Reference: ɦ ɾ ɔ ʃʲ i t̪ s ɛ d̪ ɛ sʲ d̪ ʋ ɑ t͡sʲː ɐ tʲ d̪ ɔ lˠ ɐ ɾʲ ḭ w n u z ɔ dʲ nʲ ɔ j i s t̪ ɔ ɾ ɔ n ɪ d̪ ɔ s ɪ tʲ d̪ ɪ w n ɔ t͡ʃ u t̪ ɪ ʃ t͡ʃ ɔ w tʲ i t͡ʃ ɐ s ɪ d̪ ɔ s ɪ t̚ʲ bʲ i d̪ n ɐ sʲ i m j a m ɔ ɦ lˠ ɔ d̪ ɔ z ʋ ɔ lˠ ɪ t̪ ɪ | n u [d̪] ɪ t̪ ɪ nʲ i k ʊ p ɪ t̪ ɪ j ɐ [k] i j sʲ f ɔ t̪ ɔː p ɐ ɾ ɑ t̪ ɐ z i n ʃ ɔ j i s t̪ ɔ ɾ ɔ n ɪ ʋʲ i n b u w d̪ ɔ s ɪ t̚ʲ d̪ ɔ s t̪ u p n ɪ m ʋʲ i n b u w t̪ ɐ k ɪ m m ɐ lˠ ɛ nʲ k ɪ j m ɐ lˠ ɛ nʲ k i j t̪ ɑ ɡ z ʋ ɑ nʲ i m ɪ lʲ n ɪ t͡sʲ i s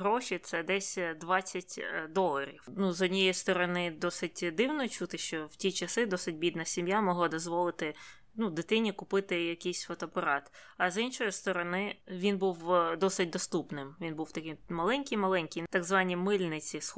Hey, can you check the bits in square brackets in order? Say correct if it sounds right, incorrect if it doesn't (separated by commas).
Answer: correct, correct